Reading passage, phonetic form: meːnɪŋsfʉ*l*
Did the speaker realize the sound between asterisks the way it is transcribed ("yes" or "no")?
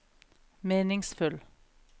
yes